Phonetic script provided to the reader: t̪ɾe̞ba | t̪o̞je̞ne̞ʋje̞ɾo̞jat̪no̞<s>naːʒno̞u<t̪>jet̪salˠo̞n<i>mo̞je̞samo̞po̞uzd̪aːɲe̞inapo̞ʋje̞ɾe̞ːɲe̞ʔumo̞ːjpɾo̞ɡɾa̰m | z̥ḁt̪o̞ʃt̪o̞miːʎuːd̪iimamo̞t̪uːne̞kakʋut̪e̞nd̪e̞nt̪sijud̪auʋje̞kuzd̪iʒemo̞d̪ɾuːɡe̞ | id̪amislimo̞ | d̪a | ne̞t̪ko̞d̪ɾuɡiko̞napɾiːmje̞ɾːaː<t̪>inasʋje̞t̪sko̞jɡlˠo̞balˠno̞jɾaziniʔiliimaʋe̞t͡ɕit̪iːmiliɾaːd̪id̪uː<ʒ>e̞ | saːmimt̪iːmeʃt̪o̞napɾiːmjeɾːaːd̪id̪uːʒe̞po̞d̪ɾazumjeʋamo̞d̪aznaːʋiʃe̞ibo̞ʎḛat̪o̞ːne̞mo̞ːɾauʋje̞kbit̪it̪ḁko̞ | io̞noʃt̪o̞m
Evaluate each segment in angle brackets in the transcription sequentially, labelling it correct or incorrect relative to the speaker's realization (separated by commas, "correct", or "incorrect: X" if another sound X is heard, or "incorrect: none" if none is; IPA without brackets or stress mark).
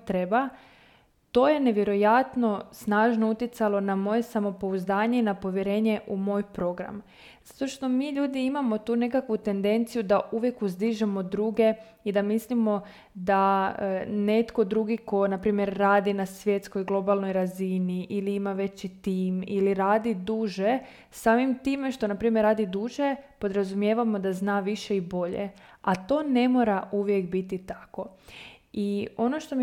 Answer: correct, correct, incorrect: a, incorrect: d̪, correct